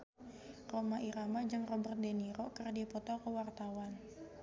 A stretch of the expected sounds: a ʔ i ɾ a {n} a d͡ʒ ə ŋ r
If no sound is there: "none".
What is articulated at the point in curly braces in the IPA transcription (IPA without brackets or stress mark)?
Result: m